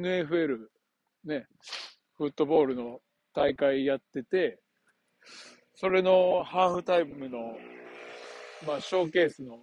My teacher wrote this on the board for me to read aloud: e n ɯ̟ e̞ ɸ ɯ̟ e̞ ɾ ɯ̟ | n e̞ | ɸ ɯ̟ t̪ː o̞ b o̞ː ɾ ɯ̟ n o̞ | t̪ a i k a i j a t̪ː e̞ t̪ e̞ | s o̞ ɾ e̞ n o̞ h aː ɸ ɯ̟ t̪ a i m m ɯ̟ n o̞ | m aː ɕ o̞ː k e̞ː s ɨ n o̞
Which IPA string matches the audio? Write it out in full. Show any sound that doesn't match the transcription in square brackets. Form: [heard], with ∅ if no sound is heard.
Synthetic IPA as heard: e n ɯ̟ e̞ ɸ ɯ̟ e̞ ɾ ɯ̟ | n e̞ | ɸ ɯ̟ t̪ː o̞ b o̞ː ɾ ɯ̟ n o̞ | t̪ a i k a i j a t̪ː e̞ t̪ e̞ | s o̞ ɾ e̞ n o̞ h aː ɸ ɯ̟ t̪ a i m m ɯ̟ n o̞ | m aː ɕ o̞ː k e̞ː s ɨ n o̞